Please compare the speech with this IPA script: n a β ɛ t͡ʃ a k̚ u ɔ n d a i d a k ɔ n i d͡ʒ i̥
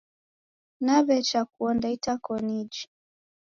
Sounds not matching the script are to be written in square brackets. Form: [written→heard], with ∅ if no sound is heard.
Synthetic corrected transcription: n a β ɛ t͡ʃ a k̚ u ɔ n d a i [d→t] a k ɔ n i d͡ʒ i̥